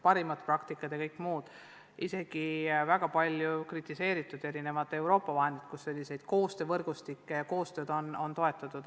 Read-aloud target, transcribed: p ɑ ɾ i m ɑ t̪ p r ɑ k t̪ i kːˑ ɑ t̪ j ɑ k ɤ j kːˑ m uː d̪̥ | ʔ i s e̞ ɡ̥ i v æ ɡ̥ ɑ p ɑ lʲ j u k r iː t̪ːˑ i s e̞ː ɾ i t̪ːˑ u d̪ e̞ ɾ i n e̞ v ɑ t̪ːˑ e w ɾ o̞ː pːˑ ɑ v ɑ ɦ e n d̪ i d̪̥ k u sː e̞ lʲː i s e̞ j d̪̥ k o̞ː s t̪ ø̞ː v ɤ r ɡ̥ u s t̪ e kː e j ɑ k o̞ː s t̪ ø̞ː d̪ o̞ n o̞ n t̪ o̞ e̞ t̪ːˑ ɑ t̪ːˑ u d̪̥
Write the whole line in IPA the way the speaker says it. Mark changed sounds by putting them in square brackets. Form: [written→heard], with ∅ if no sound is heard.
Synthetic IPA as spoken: p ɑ ɾ i m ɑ t̪ p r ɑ k t̪ i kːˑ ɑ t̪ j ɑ k ɤ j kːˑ m uː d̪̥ | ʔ i s e̞ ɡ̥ i v æ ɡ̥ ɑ p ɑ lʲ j u k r [iː→i] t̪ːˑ i s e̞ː ɾ i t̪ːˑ u d̪ e̞ ɾ i n e̞ v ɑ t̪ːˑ e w ɾ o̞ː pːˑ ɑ v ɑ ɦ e n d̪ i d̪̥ k u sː e̞ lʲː i s e̞ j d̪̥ k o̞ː s t̪ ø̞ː v ɤ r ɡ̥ u s t̪ [e→i] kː e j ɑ k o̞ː s t̪ ø̞ː d̪ o̞ n o̞ n t̪ o̞ e̞ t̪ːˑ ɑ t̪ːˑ u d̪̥